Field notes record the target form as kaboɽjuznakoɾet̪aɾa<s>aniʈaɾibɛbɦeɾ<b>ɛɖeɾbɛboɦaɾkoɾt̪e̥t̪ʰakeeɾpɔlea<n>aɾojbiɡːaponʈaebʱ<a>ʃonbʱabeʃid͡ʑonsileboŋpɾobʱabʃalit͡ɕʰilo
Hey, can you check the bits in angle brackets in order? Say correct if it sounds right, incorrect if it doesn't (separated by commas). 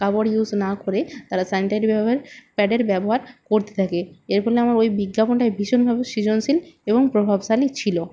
correct, incorrect, incorrect, incorrect